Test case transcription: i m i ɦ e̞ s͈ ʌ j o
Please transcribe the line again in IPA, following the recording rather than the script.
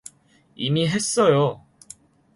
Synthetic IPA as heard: i m i ɦ e̞ s͈ ʌ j o